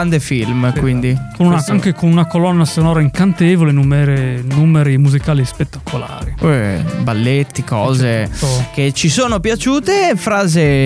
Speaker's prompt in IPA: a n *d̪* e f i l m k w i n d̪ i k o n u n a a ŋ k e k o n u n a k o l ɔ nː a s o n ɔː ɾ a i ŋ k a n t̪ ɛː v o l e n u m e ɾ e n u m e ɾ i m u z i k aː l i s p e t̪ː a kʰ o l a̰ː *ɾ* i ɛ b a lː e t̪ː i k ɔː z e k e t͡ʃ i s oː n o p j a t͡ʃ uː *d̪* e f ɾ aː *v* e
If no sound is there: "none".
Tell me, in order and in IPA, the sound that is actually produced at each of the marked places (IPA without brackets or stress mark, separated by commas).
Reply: d̪, ɾ, t̪, z